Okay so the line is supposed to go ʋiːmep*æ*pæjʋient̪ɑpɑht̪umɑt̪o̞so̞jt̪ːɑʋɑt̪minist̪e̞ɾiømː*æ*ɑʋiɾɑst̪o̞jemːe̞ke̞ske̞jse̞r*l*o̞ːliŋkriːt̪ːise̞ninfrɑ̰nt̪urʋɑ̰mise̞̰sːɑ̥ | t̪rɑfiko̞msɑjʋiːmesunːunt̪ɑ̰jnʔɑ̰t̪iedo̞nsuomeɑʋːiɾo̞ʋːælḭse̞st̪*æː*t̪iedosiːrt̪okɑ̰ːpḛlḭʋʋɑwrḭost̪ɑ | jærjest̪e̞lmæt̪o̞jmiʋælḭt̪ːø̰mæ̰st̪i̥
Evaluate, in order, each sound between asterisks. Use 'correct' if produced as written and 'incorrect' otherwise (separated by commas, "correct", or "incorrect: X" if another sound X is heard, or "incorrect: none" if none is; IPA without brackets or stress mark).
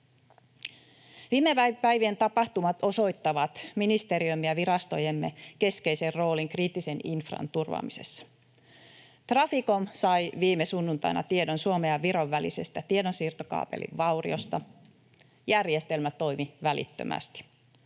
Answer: correct, incorrect: i, incorrect: r, incorrect: æ